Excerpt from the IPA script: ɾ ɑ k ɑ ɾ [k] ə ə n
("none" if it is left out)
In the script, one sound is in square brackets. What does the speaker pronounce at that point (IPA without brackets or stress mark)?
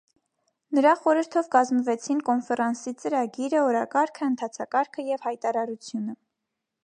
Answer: kʰ